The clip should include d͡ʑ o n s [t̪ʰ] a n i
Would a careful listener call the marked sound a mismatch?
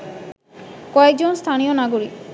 no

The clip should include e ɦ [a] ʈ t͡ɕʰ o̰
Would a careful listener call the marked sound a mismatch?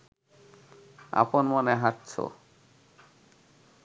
no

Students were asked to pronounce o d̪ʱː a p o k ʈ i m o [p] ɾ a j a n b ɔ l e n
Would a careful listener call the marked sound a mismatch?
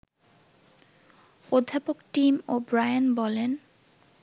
yes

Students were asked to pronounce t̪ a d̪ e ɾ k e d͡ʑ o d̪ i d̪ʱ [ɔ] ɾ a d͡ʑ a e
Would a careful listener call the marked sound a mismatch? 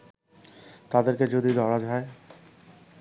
no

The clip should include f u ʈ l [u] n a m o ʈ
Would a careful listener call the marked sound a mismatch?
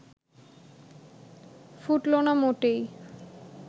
yes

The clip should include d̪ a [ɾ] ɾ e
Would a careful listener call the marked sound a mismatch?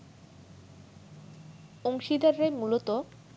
no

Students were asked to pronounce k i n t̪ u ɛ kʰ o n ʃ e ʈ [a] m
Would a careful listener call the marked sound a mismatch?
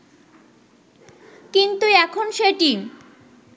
yes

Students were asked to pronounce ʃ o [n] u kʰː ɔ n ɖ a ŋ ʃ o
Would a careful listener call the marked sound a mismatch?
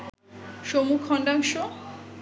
yes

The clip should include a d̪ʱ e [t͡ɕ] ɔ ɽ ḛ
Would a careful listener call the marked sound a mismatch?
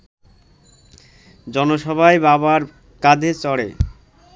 no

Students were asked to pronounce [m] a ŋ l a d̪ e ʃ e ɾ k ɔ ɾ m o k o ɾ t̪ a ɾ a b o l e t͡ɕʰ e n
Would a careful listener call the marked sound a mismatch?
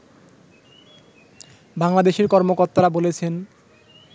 yes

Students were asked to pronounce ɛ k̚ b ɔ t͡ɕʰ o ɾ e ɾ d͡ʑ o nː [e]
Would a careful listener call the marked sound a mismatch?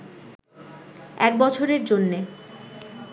no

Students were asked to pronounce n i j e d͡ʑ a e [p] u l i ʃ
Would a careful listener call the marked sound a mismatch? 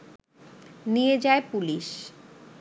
no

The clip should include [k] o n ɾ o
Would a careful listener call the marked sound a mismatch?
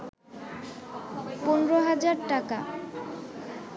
yes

